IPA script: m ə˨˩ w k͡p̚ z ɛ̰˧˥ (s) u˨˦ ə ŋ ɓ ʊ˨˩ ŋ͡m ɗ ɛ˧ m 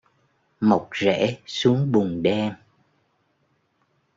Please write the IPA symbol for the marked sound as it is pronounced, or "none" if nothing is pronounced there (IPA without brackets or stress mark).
s